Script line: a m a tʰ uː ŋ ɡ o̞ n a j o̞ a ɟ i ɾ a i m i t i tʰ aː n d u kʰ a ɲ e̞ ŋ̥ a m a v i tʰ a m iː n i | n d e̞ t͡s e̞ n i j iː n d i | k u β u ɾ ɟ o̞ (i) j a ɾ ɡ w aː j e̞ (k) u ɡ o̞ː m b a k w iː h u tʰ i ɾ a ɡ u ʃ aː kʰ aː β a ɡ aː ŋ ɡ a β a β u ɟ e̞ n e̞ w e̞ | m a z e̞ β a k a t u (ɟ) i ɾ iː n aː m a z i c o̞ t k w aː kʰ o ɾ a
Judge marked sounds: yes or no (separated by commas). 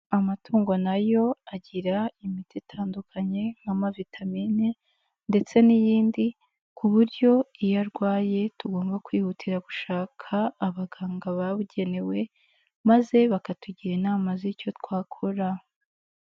yes, no, yes